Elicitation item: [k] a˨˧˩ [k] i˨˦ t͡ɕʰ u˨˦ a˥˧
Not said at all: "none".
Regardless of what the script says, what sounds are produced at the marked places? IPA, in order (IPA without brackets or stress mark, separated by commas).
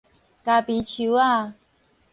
k, p